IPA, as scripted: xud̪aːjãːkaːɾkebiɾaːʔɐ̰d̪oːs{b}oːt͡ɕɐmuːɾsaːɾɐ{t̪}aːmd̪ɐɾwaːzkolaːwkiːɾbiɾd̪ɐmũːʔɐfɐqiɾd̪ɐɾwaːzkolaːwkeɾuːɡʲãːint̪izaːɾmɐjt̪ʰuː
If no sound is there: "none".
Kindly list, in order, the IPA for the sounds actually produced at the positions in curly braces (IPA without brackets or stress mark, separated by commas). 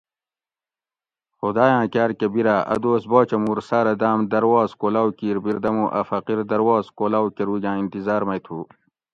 b, d̪